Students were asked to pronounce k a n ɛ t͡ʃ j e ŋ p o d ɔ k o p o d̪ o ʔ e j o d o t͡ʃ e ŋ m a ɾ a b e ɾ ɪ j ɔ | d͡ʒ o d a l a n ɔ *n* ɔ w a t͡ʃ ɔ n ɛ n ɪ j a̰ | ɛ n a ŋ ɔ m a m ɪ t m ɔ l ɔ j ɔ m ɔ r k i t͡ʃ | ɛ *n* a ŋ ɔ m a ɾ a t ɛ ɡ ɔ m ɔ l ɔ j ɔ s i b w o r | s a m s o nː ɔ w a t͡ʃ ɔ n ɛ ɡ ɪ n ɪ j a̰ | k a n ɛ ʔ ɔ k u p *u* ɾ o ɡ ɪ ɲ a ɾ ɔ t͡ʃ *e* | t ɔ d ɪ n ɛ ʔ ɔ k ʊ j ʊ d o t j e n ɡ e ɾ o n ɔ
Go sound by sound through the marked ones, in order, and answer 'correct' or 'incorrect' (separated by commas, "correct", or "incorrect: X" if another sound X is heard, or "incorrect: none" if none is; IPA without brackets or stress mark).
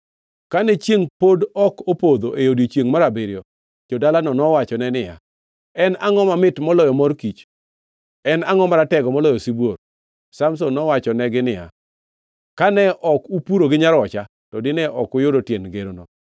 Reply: correct, correct, correct, incorrect: a